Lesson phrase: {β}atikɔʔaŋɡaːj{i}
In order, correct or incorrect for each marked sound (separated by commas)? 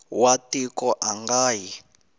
incorrect, correct